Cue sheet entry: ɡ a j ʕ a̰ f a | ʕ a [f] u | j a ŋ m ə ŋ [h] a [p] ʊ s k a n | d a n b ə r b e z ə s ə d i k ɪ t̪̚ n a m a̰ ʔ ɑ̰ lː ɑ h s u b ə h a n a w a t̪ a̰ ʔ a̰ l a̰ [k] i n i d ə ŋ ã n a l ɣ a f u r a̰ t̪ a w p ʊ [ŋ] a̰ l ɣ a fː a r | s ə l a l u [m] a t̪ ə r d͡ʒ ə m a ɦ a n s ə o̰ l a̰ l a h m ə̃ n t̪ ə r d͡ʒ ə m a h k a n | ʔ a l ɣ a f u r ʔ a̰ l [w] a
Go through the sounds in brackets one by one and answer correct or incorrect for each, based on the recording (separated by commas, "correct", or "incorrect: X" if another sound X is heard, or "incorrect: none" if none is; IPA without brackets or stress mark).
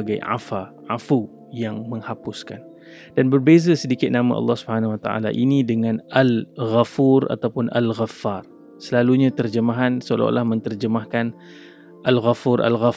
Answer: correct, correct, correct, incorrect: ʔ, incorrect: n, incorrect: ɲ, incorrect: ɣ